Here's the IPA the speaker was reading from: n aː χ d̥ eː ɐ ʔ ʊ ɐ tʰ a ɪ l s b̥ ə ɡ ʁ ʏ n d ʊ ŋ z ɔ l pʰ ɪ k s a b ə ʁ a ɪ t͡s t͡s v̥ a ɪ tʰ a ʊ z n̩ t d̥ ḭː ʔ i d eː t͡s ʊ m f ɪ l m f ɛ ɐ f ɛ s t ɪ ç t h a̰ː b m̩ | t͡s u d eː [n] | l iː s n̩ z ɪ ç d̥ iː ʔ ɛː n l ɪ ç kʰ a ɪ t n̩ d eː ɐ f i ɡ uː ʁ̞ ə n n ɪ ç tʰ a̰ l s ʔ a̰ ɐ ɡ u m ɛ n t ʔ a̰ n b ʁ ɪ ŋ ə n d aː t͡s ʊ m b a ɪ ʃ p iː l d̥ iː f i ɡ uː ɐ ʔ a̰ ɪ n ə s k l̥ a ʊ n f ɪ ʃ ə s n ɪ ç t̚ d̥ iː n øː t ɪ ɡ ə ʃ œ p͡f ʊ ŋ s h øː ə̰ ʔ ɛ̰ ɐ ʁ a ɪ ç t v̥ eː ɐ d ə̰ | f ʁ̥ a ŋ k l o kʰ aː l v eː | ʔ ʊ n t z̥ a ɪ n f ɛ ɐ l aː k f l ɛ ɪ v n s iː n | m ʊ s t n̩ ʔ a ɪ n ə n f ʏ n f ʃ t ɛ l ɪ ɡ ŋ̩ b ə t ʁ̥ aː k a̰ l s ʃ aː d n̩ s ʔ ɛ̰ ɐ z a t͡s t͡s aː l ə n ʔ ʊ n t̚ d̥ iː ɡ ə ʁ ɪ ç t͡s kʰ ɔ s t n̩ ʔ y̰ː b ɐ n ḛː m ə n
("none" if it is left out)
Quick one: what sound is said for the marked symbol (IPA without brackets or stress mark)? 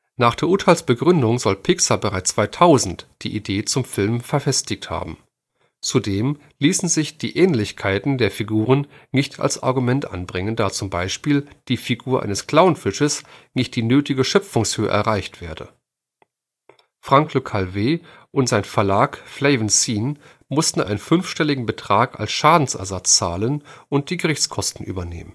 m